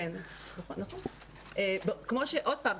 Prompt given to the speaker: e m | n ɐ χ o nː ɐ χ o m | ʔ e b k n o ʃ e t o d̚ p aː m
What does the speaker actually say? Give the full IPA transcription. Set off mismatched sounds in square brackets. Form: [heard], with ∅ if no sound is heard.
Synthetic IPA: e [n] | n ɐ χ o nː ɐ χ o [n] | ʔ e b k [m] o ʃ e [ʔ] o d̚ p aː m